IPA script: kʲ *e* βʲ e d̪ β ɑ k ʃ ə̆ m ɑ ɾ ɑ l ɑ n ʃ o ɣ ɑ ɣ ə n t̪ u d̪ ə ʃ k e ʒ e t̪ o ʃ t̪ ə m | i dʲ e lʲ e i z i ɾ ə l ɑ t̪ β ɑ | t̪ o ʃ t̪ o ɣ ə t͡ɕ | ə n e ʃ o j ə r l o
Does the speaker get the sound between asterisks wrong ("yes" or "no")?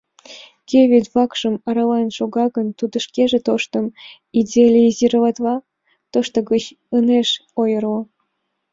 no